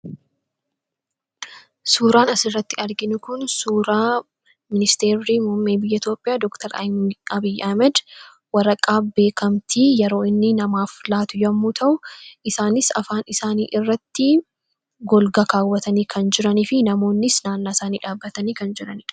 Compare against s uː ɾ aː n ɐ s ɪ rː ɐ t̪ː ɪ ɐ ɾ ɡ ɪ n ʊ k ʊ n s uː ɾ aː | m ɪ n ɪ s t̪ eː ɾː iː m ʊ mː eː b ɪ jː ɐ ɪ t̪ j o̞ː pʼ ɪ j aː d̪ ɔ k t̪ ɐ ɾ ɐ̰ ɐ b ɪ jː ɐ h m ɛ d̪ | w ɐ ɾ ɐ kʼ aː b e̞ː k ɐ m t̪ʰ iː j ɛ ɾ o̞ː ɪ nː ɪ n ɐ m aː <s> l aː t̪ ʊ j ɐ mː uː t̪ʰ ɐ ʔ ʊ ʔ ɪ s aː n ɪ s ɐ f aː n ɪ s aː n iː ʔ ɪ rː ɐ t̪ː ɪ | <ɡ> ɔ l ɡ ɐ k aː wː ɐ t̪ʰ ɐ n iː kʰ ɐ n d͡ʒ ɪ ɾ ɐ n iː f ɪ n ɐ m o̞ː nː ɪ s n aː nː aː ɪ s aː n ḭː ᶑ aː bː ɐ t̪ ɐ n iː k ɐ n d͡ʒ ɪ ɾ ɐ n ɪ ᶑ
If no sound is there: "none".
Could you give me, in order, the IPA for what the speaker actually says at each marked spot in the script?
f, ɡ

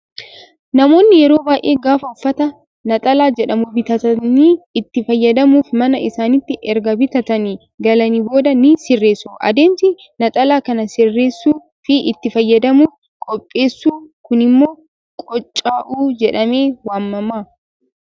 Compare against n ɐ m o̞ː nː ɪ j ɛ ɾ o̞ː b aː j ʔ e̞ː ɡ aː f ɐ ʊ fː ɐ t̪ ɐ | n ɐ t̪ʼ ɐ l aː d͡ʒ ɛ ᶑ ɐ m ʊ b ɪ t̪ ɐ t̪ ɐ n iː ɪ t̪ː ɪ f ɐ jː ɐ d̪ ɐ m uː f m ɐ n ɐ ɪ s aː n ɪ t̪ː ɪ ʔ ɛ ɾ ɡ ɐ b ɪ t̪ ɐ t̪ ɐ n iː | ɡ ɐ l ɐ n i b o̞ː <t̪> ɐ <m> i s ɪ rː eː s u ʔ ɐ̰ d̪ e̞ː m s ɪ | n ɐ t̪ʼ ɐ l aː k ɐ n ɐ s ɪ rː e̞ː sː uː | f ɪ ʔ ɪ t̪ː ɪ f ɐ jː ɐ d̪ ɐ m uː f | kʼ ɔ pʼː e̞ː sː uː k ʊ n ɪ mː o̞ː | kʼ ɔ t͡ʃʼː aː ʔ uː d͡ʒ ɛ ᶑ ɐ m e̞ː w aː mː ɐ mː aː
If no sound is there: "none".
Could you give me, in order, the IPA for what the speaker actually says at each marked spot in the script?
d̪, n

